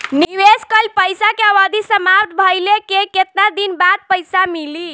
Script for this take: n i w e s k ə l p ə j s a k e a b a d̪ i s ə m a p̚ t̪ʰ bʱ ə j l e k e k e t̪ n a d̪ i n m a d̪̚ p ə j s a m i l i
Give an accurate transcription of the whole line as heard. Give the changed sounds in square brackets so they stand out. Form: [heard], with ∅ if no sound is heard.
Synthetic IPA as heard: n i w e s k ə l p ə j s a k e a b a d̪ i s ə m a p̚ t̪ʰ bʱ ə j l e k e k e t̪ n a d̪ i n [b] a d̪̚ p ə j s a m i l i